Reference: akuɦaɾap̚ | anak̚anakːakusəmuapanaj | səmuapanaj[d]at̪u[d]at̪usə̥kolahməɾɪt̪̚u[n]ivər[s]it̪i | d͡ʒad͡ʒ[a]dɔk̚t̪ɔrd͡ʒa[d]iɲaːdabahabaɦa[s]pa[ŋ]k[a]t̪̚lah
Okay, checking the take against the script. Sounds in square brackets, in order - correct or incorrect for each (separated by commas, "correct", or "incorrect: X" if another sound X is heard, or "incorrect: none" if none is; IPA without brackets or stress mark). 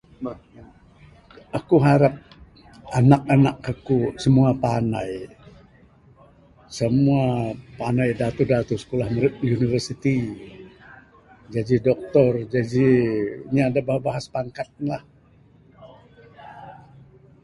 correct, correct, correct, correct, incorrect: i, incorrect: d͡ʒ, correct, correct, correct